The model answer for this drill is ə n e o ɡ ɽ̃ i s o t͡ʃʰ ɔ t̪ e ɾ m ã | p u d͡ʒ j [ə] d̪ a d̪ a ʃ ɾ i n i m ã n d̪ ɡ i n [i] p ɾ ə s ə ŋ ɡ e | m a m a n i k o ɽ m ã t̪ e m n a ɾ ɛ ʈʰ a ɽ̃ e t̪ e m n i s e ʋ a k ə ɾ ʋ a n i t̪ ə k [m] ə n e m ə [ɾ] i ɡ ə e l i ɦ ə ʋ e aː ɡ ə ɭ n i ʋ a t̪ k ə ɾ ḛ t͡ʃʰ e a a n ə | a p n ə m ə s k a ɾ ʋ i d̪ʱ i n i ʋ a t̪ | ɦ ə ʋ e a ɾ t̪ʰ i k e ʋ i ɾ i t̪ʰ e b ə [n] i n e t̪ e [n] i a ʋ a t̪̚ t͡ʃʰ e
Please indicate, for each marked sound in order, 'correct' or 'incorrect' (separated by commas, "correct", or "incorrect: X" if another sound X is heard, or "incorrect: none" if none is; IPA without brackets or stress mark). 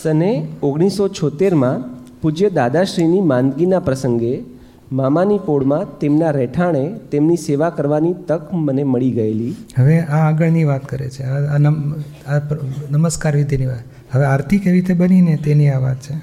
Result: correct, incorrect: a, correct, incorrect: ɭ, correct, correct